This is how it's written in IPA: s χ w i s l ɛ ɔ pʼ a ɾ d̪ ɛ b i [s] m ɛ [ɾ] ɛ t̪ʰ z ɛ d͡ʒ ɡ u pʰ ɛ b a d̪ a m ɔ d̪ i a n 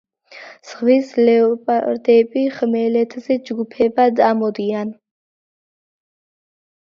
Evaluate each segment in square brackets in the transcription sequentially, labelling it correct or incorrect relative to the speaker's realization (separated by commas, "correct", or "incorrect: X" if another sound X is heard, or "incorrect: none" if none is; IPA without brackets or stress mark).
incorrect: χ, incorrect: l